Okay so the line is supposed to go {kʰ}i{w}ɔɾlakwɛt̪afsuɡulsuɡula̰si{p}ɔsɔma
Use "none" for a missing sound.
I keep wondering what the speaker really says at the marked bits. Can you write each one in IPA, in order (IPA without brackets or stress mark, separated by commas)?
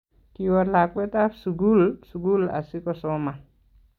k, w, k